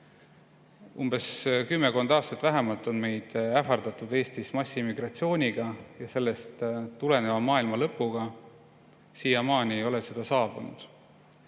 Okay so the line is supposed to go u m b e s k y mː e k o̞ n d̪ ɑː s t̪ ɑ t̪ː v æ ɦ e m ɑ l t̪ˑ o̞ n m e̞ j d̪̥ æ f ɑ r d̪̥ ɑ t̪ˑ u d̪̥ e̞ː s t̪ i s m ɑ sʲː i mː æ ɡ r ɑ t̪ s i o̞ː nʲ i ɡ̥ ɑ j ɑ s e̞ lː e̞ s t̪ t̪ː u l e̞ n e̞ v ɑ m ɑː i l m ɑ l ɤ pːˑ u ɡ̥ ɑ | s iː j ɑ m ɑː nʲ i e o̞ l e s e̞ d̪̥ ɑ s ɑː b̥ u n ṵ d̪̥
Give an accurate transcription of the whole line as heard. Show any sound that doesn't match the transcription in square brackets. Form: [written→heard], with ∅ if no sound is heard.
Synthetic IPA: u m b e s k y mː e k o̞ n d̪ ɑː s t̪ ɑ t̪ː v æ ɦ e m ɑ l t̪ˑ o̞ n m e̞ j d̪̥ æ f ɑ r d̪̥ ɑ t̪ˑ u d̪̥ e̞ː s t̪ i s m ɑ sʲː i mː [æ→i] ɡ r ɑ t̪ s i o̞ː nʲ i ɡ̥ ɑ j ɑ s e̞ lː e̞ s t̪ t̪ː u l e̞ n e̞ v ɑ m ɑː i l m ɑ l ɤ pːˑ u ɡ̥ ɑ | s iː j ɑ m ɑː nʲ i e o̞ l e s e̞ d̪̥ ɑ s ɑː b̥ u n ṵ d̪̥